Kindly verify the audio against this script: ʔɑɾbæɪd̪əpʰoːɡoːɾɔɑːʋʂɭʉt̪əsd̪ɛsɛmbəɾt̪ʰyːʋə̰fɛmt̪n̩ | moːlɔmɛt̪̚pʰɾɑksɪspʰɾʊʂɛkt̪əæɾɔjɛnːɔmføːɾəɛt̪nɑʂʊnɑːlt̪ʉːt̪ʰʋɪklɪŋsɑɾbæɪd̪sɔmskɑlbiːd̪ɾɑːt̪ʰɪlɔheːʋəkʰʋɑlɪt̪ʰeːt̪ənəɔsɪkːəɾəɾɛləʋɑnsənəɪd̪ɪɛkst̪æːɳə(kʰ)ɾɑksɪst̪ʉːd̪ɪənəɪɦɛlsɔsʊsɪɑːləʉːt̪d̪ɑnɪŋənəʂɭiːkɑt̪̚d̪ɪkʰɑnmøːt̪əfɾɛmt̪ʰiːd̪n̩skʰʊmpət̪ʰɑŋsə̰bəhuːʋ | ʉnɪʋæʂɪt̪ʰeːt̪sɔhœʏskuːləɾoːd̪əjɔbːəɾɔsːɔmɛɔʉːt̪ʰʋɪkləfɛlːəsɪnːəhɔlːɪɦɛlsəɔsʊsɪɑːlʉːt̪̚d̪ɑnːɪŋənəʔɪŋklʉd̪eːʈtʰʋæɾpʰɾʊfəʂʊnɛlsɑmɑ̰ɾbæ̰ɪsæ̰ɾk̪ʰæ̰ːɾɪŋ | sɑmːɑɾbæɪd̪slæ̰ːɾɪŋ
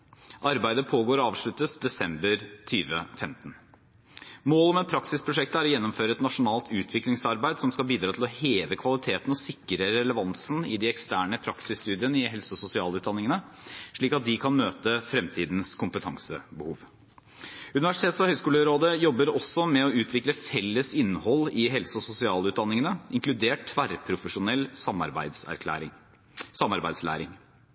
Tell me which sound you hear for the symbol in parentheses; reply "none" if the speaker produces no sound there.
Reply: pʰ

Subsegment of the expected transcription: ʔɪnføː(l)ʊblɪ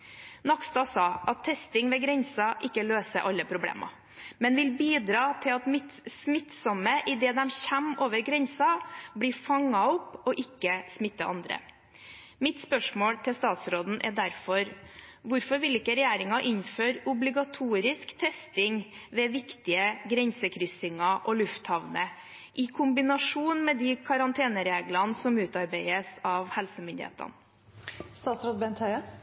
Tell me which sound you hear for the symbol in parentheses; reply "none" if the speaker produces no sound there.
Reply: ɾ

